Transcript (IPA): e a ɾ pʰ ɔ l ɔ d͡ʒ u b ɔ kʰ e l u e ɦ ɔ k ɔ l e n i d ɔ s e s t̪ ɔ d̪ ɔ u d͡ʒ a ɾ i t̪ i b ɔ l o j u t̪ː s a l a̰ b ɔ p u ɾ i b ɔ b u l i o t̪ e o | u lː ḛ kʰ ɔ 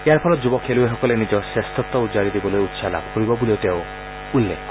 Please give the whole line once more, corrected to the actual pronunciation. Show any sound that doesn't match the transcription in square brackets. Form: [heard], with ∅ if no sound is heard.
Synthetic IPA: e a ɾ pʰ ɔ l ɔ d͡ʒ u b ɔ kʰ e l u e ɦ ɔ k ɔ l e n i [d͡ʒ] ɔ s e s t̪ ɔ [t̪] ɔ u d͡ʒ a ɾ i [d̪] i b ɔ l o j u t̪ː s a l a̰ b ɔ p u ɾ i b ɔ b u l i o t̪ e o | u lː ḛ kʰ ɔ